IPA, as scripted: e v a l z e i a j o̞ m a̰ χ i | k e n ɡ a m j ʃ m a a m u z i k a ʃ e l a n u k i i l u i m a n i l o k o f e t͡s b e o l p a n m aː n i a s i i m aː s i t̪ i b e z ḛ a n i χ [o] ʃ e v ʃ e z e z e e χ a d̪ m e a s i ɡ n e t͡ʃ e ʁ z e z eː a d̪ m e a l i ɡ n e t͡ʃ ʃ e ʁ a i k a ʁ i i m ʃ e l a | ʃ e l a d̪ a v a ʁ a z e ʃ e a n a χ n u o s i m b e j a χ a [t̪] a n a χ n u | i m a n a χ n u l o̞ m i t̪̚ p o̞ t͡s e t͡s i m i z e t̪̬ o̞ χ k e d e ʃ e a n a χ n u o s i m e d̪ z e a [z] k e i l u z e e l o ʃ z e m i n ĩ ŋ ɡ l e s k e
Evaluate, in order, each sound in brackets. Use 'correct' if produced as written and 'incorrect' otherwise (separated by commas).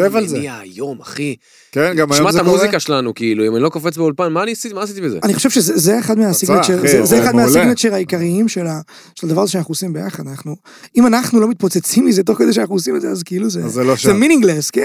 correct, incorrect, correct